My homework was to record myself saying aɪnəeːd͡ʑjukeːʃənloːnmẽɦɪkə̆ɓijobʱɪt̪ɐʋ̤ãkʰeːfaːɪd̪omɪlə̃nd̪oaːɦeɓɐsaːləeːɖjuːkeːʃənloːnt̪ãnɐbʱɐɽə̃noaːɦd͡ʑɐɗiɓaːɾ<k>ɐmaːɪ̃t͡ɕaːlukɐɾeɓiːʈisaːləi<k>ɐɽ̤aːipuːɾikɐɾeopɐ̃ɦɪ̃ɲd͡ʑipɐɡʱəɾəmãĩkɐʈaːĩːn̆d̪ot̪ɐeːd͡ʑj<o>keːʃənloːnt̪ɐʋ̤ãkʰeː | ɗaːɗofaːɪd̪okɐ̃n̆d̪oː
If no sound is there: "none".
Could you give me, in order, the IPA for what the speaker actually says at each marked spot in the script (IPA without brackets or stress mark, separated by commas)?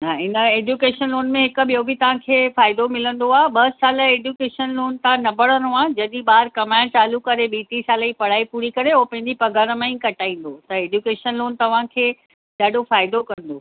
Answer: k, p, u